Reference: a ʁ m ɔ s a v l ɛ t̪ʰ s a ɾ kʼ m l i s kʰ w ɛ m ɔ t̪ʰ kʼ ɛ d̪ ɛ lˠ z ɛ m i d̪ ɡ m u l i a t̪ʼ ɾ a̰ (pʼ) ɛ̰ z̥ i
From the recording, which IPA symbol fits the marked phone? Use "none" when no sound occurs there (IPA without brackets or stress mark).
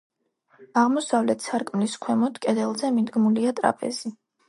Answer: pʼ